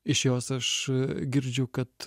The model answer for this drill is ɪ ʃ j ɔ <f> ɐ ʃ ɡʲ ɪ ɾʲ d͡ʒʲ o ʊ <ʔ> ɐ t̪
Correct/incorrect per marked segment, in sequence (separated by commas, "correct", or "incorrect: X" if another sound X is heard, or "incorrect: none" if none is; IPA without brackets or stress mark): incorrect: s, incorrect: k